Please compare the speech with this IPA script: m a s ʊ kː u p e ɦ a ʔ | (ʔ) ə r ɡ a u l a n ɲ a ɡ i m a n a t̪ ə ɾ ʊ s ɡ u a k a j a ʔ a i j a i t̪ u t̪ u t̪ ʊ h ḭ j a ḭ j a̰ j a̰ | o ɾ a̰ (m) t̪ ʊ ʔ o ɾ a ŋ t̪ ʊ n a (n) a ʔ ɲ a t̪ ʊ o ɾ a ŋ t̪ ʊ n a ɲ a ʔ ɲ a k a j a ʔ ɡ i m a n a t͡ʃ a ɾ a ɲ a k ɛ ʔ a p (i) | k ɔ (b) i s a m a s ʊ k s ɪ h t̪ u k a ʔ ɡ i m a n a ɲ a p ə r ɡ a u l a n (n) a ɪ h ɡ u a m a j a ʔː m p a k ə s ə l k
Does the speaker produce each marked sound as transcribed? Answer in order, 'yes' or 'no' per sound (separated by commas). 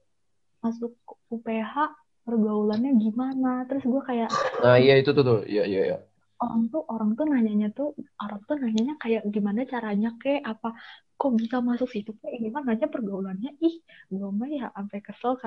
no, no, no, no, yes, no